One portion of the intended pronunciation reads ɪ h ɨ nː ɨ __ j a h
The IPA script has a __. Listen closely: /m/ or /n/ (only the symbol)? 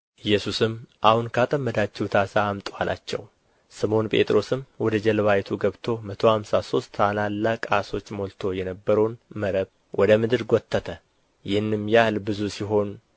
m